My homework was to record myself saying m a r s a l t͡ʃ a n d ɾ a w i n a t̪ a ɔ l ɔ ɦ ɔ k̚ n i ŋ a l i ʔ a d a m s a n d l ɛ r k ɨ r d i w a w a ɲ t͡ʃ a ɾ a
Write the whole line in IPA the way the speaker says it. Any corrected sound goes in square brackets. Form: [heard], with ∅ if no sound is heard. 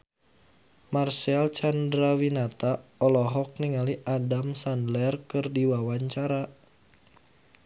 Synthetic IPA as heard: m a r s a l t͡ʃ a n d ɾ a w i n a t̪ a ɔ l ɔ ɦ ɔ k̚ n i ŋ a l i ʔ a d a m s a n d l ɛ r k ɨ r d i w a w a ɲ t͡ʃ a ɾ a